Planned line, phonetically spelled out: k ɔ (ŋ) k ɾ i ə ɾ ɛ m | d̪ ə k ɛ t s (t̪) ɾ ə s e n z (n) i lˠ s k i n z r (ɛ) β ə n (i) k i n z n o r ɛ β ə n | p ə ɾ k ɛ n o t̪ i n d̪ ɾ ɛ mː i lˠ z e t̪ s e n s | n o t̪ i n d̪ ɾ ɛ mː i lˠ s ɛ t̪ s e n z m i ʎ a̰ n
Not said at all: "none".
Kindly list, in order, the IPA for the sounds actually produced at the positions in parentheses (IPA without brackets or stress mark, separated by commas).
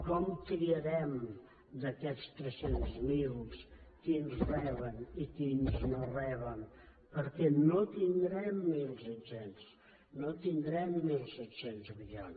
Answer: m, t̪, m, ɛ, i